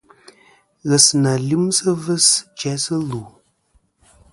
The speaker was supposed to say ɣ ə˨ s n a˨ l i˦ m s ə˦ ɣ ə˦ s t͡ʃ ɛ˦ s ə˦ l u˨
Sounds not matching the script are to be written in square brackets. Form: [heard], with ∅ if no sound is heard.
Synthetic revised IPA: ɣ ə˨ s n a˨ l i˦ m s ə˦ [v] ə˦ s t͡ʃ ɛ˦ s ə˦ l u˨